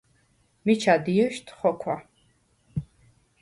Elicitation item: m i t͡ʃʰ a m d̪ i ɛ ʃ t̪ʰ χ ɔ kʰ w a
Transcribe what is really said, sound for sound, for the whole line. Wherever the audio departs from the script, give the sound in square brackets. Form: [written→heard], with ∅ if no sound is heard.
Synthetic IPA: m i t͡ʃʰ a [m→∅] d̪ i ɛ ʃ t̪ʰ χ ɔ kʰ w a

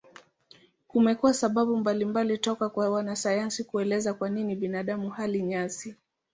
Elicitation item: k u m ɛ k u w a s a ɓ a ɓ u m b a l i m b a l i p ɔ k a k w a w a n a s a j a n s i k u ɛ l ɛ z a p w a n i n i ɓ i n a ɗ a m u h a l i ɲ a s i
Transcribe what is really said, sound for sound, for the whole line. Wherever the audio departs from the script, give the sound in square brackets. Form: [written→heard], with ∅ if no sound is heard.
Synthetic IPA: k u m ɛ k u w a s a ɓ a ɓ u m b a l i m b a l i [p→t] ɔ k a k w a w a n a s a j a n s i k u ɛ l ɛ z a [p→k] w a n i n i ɓ i n a ɗ a m u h a l i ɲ a s i

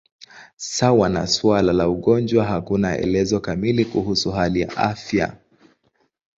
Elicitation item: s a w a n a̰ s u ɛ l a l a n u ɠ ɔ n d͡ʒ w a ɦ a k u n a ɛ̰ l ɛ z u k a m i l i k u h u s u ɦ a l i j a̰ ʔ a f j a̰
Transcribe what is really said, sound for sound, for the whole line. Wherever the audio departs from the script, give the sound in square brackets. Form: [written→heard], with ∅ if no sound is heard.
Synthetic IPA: s a w a n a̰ s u [ɛ→a] l a l a [n→∅] u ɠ ɔ n d͡ʒ w a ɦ a k u n a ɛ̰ l ɛ z [u→ɔ] k a m i l i k u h u s u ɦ a l i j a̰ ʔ a f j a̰

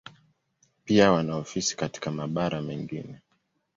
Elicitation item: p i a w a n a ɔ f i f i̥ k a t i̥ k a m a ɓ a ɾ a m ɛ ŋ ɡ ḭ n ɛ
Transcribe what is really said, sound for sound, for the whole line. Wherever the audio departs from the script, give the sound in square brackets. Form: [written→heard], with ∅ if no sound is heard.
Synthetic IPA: p i a w a n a ɔ f i [f→s] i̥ k a t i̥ k a m a ɓ a ɾ a m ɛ ŋ ɡ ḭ n ɛ

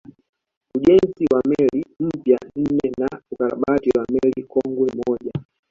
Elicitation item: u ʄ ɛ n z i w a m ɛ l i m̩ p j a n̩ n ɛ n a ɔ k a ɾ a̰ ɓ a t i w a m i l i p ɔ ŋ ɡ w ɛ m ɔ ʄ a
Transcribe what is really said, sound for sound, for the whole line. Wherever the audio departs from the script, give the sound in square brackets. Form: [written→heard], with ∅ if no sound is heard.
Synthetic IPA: u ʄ ɛ n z i w a m ɛ l i m̩ p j a n̩ n ɛ n a [ɔ→u] k a ɾ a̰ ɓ a t i w a m [i→ɛ] l i [p→k] ɔ ŋ ɡ w ɛ m ɔ ʄ a

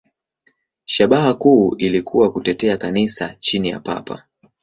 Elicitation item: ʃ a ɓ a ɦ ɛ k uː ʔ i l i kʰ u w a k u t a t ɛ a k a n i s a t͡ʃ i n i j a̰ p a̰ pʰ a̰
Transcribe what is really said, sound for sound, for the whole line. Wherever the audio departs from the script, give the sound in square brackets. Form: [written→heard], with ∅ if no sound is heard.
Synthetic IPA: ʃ a ɓ a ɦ [ɛ→a] k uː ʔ i l i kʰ u w a k u t [a→ɛ] t ɛ a k a n i s a t͡ʃ i n i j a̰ p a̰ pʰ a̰

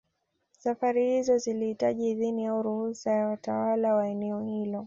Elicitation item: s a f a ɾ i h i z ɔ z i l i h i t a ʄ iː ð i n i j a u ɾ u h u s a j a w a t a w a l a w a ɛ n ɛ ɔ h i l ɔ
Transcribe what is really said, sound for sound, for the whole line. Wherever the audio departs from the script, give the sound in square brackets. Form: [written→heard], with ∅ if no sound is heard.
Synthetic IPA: s a f a ɾ i h i z ɔ z i l i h i t a ʄ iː ð i n i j a u ɾ u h u s a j a w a t a w a l a w a ɛ n ɛ ɔ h i l ɔ

